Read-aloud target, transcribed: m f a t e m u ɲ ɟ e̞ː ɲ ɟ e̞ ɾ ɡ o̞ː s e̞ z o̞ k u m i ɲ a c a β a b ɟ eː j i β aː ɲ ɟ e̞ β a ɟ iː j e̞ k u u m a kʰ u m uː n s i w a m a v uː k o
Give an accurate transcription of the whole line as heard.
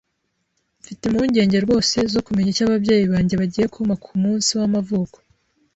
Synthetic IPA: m f i t e m u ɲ ɟ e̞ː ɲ ɟ e̞ ɾ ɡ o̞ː s e̞ z o̞ k u m e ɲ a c a β a b ɟ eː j i β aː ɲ ɟ e̞ β a ɟ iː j e̞ k u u m a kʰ u m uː n s i w a m a v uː k o

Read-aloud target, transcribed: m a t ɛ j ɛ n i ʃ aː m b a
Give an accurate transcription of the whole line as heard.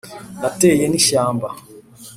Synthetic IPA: n a t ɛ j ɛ n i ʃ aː m b a

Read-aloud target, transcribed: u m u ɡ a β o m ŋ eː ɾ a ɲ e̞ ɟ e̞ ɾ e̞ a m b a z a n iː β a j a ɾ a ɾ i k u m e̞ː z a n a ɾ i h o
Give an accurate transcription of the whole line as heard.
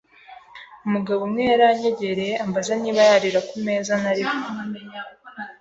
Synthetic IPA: u m u ɡ a β o m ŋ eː ɾ a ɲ e̞ ɟ e̞ ɾ e̞ a m b a z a n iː β a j a ɾ i ɾ a k u m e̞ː z a n a ɾ i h o

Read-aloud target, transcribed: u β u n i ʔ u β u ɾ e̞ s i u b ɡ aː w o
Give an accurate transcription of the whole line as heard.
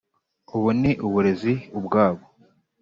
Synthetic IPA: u β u n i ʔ u β u ɾ e̞ z i u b ɡ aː β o

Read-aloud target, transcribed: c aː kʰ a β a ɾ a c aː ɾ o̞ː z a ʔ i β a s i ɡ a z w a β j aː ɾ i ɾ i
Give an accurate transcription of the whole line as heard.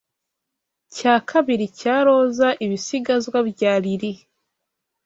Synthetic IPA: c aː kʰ a β i ɾ i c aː ɾ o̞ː z a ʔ i β i s i ɡ a z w a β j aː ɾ i ɾ i

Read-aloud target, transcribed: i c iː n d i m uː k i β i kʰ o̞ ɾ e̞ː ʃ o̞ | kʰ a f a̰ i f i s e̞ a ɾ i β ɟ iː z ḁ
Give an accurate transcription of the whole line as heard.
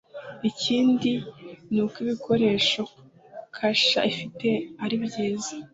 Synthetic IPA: i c iː n d i n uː k i β i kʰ o̞ ɾ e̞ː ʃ o̞ | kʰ a ʃ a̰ i f i t e̞ a ɾ i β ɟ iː z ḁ

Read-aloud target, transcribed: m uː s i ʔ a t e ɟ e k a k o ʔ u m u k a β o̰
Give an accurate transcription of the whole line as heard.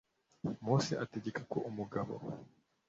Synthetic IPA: m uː s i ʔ a t e ɟ e k a k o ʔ u m u ɡ a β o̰

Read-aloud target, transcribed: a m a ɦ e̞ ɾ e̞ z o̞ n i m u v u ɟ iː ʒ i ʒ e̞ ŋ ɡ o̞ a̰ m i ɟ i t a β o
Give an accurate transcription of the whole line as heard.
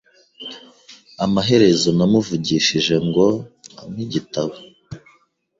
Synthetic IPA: a m a ɦ e̞ ɾ e̞ z o̞ n a m u v u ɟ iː ʃ i ʒ e̞ ŋ ɡ o̞ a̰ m i ɟ i t a β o

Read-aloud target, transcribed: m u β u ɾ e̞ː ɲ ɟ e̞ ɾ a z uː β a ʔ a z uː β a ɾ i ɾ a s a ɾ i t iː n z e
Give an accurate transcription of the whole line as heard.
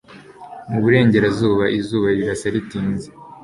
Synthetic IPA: m u β u ɾ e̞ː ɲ ɟ e̞ ɾ a z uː β a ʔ i z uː β a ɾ i ɾ a s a ɾ i t iː n z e

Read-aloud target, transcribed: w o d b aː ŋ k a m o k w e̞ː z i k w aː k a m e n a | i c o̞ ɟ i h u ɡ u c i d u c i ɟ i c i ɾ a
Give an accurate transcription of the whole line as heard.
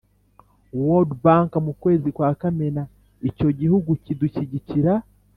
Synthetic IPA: w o d b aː ŋ k a m u k w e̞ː z i k w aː k a m e n a | i c o̞ ɟ i h u ɡ u c i d u c i ɟ i c i ɾ a

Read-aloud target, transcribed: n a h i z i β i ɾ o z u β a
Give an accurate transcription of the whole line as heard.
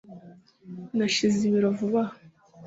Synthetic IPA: n a ʃ i z i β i ɾ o v u β a

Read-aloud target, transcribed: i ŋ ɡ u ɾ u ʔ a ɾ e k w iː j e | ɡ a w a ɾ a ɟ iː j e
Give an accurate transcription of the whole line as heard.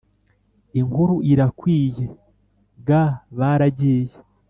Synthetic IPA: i ŋ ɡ u ɾ u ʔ i ɾ a k w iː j e | ɡ a β a ɾ a ɟ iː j e

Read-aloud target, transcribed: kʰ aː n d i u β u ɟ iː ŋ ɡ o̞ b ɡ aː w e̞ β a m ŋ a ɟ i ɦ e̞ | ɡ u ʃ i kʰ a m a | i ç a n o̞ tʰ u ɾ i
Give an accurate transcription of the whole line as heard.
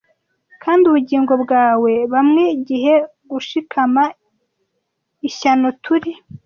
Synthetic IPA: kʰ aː n d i u β u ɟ iː ŋ ɡ o̞ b ɡ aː w e̞ β a m ŋ e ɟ i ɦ e̞ | ɡ u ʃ i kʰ a m a | i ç a n o̞ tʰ u ɾ i

